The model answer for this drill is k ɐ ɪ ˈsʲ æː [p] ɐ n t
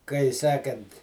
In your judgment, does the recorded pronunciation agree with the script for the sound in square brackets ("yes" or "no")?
no